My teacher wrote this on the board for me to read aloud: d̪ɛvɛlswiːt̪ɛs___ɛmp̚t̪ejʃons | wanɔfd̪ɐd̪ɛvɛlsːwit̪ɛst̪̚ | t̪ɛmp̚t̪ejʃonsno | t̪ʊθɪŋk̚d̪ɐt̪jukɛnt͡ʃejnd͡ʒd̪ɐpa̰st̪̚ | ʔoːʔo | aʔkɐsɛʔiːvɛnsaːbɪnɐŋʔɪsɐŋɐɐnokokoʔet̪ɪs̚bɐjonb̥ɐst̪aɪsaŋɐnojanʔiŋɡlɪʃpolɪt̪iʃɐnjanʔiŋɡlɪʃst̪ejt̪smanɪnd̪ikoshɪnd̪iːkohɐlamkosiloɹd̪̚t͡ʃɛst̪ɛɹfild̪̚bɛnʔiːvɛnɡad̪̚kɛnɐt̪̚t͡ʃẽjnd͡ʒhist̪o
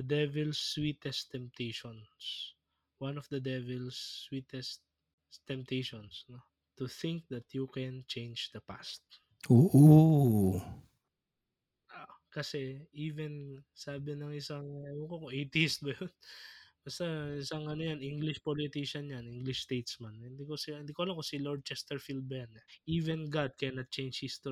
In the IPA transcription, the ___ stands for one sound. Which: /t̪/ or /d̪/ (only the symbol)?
t̪